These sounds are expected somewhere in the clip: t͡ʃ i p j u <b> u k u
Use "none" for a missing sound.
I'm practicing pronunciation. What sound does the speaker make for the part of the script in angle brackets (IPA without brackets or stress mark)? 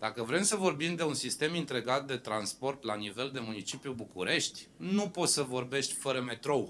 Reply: b